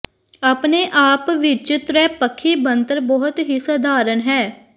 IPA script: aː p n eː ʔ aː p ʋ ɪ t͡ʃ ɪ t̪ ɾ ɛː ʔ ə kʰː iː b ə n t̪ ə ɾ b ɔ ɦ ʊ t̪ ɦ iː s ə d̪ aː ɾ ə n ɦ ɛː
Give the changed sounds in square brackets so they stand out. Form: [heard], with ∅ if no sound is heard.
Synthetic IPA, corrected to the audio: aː p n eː ʔ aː p ʋ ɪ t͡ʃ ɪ t̪ ɾ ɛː [p] ə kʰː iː b ə n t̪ ə ɾ b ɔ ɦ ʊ t̪ ɦ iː s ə d̪ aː ɾ ə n ɦ ɛː

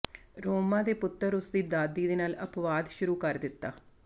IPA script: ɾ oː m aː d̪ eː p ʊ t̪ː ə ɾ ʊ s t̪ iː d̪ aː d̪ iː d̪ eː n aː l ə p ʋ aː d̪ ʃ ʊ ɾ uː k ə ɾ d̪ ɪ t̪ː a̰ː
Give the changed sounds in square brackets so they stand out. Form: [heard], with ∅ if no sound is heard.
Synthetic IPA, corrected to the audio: ɾ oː m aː d̪ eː p ʊ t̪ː ə ɾ ʊ s [d̪] iː d̪ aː d̪ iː d̪ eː n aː l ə p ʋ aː d̪ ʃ ʊ ɾ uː k ə ɾ d̪ ɪ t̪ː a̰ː

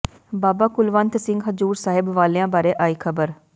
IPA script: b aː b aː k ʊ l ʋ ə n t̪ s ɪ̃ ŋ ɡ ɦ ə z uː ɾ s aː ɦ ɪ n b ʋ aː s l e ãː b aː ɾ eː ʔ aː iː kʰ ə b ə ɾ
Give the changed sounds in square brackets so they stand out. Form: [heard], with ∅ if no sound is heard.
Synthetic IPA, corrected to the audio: b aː b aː k ʊ l ʋ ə n t̪ s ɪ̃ ŋ ɡ ɦ ə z uː ɾ s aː ɦ ɪ [∅] b ʋ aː [∅] l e ãː b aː ɾ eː ʔ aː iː kʰ ə b ə ɾ

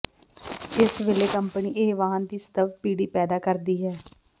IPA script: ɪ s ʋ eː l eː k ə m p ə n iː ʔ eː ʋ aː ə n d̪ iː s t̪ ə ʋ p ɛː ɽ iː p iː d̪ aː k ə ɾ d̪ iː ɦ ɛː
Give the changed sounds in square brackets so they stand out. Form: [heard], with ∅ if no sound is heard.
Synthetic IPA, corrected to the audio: ɪ s ʋ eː l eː k ə m p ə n iː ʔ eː ʋ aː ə n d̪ iː s t̪ ə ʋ p [iː] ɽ iː p [ɛː] d̪ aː k ə ɾ d̪ iː ɦ ɛː

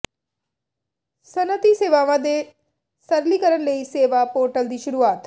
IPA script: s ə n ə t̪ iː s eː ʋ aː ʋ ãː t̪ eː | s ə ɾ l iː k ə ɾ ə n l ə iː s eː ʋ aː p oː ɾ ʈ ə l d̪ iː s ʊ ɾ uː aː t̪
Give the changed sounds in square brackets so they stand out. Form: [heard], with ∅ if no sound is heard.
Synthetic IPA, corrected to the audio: s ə n ə t̪ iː s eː ʋ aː ʋ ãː [d̪] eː | s ə ɾ l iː k ə ɾ ə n l ə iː s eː ʋ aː p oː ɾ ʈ ə l d̪ iː [ʃ] ʊ ɾ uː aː t̪

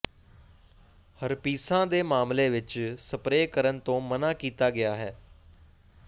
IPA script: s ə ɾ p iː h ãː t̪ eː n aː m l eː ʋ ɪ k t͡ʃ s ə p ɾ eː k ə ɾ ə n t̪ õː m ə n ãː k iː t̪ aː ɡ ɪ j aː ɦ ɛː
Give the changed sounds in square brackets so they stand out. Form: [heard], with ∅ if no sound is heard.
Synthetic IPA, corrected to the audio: [h] ə ɾ p iː [s] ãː [d̪] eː [m] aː m l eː ʋ ɪ [∅] t͡ʃ s ə p ɾ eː k ə ɾ ə n t̪ õː m ə n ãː k iː t̪ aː ɡ ɪ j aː ɦ ɛː

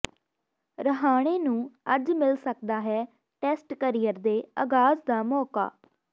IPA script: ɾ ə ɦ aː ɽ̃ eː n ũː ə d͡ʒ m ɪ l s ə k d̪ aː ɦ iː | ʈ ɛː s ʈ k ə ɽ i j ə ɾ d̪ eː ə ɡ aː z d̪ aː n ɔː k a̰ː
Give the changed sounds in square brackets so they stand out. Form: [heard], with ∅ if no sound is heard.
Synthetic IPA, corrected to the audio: ɾ ə ɦ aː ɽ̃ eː n ũː ə d͡ʒ m ɪ l s ə k d̪ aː ɦ [ɛː] | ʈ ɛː s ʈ k ə [ɾ] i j ə ɾ d̪ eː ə ɡ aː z d̪ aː [m] ɔː k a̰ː

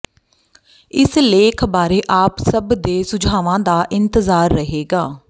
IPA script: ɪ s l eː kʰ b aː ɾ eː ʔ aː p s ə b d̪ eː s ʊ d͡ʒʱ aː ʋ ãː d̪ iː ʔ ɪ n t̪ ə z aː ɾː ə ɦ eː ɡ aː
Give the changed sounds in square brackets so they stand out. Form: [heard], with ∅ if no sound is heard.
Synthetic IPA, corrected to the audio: ɪ s l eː kʰ b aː ɾ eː ʔ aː p s ə b d̪ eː s ʊ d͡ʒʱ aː ʋ ãː d̪ [aː] ʔ ɪ n t̪ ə z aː ɾː ə ɦ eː ɡ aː

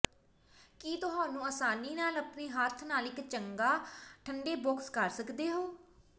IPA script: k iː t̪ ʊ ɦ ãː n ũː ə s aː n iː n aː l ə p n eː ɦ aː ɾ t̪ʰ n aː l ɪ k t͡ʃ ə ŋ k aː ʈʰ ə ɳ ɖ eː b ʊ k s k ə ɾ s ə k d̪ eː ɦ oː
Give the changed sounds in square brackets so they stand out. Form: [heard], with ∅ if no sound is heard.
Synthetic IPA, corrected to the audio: k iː t̪ ʊ ɦ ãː n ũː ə s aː n iː n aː l ə p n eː ɦ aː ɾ t̪ʰ n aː l ɪ k t͡ʃ ə ŋ [ɡ] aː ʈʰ ə ɳ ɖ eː b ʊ k s k ə ɾ s ə k d̪ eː ɦ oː

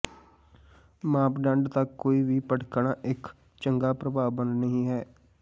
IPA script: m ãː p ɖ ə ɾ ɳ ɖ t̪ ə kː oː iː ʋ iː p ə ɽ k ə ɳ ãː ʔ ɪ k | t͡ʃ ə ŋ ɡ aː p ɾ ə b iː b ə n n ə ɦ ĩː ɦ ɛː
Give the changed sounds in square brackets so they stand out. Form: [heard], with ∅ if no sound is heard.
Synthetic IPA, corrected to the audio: m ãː p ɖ ə [∅] ɳ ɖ t̪ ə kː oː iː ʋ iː p ə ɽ k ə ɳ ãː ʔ ɪ k | t͡ʃ ə ŋ ɡ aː p ɾ ə b [aː] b ə n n ə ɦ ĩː ɦ ɛː

